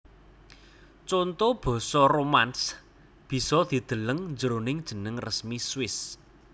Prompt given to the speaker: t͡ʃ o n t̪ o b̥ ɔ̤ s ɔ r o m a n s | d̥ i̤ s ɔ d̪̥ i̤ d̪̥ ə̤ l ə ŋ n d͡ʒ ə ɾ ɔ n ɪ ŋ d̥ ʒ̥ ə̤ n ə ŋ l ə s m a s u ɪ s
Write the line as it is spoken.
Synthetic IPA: t͡ʃ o n t̪ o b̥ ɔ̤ s ɔ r o m a n s | b̥ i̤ s ɔ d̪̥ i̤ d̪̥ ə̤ l ə ŋ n d͡ʒ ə ɾ o n ɪ ŋ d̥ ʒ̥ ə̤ n ə ŋ r ə s m i s w ɪ s